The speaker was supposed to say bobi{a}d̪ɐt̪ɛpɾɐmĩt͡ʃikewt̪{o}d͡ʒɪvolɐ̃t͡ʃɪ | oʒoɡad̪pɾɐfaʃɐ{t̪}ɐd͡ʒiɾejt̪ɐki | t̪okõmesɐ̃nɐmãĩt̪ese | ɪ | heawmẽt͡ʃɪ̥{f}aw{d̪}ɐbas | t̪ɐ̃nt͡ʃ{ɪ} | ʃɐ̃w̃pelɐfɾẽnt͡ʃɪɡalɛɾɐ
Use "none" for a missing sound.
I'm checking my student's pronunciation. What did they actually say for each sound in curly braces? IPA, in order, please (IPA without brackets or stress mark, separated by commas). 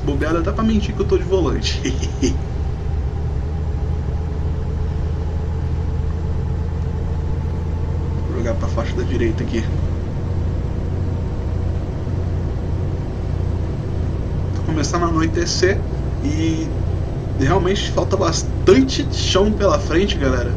a, o, d̪, f, t̪, ɪ